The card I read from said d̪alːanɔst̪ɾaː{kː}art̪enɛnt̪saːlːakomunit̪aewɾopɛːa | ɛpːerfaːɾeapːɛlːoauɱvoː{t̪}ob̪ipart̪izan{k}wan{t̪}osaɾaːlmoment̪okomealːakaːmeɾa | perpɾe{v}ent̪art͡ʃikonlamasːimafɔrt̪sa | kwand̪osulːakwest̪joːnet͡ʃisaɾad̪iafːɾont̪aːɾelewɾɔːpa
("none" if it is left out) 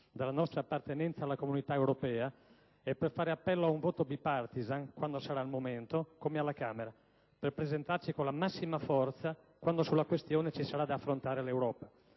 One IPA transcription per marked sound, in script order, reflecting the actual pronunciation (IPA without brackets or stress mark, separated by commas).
pː, t̪, k, d̪, z